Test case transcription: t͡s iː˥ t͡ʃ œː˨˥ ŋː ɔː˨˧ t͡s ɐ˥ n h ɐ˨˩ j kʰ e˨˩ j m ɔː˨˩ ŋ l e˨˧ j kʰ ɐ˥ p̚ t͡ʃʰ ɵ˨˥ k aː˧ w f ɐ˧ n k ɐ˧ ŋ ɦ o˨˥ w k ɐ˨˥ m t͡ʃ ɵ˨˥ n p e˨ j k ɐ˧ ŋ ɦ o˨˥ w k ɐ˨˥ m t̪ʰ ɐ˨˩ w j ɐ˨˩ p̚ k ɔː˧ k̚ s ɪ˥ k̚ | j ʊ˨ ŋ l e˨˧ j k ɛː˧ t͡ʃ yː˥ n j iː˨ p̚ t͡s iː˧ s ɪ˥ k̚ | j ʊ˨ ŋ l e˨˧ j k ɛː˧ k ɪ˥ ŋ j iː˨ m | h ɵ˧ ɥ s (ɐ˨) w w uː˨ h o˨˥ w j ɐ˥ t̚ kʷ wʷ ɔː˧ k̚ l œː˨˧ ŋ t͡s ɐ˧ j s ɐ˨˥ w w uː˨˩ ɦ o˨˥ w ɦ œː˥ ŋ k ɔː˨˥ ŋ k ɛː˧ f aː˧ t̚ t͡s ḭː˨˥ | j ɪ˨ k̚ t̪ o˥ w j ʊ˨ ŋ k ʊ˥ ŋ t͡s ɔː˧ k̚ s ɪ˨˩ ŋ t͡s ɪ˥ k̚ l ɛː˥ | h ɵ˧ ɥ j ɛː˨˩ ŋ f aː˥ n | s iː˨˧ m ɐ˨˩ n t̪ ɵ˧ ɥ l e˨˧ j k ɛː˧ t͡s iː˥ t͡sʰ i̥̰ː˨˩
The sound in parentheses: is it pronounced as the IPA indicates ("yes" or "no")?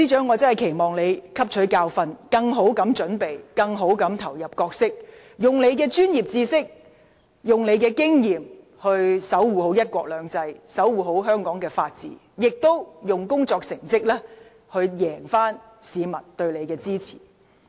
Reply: no